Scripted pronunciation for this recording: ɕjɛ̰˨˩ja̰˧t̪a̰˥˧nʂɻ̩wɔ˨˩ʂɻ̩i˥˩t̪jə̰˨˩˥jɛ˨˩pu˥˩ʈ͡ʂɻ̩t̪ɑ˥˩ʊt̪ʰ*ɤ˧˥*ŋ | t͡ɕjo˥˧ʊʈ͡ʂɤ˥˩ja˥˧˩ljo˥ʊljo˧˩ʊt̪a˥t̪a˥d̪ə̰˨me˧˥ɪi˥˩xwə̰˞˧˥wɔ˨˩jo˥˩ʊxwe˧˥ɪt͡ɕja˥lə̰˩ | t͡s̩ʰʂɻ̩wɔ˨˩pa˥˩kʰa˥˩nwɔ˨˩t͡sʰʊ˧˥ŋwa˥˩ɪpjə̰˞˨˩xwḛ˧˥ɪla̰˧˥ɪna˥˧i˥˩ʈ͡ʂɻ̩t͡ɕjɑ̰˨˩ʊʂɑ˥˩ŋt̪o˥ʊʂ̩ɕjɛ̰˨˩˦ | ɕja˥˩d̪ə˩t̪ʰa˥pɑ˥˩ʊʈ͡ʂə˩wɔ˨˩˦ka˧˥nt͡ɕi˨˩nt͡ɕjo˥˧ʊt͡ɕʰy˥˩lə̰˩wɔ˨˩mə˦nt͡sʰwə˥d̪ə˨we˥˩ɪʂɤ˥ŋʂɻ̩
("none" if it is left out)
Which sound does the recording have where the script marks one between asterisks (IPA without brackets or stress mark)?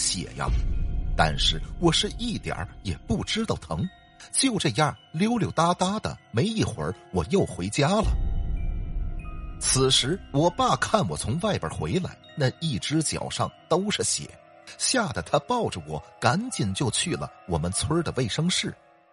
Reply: ɤ˧˥